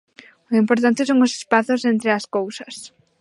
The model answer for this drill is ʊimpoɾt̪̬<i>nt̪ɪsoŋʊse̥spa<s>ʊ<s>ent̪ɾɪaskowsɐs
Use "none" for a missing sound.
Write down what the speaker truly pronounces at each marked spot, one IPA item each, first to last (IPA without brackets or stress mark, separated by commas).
a, θ, s